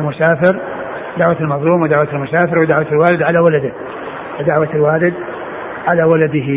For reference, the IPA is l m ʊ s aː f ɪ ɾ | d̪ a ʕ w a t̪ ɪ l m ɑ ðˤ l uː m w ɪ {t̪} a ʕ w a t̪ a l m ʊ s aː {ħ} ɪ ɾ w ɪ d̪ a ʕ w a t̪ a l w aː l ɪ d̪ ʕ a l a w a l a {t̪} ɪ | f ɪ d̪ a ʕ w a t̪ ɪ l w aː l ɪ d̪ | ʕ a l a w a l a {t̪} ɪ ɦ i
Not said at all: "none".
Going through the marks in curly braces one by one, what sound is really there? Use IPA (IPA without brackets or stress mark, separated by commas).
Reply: d̪, f, d̪, d̪